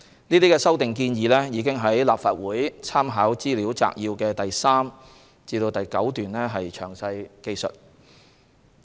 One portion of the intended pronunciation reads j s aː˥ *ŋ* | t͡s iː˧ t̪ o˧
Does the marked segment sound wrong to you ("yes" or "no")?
yes